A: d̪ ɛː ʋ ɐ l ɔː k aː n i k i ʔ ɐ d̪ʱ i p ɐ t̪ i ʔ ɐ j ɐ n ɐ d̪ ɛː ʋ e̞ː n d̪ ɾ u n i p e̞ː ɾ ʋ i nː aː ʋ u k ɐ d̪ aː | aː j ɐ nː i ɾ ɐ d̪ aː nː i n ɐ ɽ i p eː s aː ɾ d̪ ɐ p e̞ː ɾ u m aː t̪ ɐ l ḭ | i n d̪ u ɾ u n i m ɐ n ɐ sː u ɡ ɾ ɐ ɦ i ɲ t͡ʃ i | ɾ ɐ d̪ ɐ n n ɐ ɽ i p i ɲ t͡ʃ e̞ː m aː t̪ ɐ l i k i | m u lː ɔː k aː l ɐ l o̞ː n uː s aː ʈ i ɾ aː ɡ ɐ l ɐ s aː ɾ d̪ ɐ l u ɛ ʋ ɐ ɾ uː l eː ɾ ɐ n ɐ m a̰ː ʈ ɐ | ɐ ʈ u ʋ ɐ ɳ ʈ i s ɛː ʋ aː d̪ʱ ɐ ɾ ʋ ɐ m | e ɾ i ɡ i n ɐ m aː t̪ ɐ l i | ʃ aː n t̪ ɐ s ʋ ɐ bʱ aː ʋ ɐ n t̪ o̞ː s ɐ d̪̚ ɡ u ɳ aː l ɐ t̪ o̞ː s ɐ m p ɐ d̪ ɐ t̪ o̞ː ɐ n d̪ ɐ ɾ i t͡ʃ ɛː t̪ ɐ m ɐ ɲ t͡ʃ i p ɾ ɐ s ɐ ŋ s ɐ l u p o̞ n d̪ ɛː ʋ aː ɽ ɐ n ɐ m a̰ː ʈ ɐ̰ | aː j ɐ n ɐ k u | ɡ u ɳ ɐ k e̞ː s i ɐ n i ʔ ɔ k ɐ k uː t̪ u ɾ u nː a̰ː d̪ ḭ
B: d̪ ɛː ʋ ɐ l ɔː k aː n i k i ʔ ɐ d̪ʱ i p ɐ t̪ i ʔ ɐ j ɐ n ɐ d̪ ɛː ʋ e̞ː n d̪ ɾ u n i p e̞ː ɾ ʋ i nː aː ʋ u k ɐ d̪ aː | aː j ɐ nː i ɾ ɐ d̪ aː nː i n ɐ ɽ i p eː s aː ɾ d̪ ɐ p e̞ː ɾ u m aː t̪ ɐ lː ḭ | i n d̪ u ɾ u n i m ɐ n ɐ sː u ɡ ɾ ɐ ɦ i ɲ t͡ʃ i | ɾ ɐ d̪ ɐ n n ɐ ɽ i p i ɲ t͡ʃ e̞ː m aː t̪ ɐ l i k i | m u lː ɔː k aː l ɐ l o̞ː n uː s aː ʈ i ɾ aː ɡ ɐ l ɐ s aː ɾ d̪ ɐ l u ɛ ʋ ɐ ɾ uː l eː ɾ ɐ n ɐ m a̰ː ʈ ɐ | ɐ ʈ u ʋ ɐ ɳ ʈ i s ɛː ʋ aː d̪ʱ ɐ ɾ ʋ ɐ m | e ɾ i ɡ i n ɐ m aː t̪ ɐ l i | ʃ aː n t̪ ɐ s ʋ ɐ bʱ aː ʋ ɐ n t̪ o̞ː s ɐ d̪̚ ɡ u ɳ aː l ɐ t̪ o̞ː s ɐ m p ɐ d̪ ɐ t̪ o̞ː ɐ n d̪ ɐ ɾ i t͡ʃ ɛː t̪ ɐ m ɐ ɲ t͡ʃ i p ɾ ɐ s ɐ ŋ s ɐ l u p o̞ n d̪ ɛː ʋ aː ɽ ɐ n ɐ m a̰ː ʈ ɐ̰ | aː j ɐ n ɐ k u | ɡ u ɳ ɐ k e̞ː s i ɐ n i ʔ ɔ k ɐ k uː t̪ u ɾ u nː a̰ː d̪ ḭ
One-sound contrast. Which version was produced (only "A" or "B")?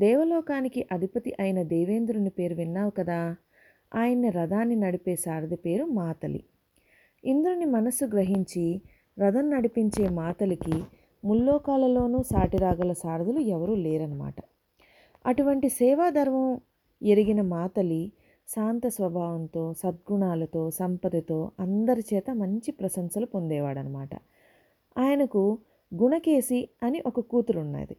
A